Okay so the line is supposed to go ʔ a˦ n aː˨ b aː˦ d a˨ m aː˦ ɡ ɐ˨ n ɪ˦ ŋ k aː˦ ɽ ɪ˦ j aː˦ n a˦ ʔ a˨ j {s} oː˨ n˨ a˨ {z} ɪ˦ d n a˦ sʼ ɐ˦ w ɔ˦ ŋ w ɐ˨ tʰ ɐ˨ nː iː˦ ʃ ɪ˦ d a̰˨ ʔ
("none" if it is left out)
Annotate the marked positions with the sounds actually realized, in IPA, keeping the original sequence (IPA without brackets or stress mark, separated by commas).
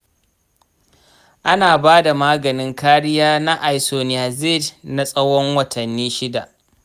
s, z